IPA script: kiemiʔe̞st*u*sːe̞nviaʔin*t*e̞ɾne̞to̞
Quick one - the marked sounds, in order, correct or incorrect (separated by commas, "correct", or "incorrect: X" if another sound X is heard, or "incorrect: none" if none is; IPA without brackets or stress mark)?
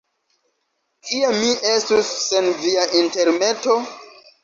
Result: correct, correct